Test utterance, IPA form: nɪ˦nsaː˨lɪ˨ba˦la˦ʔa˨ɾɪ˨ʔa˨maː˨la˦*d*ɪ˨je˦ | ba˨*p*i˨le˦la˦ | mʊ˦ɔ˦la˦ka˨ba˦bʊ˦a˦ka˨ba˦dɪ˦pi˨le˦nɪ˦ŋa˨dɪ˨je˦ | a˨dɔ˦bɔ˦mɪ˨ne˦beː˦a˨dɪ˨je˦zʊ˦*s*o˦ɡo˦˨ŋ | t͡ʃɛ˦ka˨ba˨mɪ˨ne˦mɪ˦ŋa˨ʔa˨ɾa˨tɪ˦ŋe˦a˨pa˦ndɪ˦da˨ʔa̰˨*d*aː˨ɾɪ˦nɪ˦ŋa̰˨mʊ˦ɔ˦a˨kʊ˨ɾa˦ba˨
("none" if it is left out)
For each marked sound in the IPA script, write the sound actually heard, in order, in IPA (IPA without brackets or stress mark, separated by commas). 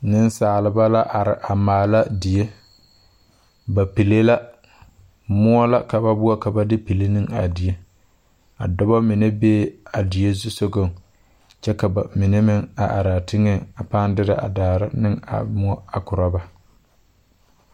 d, p, s, d